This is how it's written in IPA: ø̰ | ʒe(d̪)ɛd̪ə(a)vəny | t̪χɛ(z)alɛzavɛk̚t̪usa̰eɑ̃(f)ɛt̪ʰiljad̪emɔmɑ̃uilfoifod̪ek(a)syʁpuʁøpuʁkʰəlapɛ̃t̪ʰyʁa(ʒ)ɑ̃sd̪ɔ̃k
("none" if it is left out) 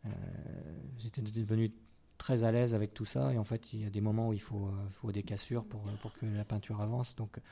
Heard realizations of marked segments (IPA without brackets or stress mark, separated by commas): t̪, ə, z, f, a, v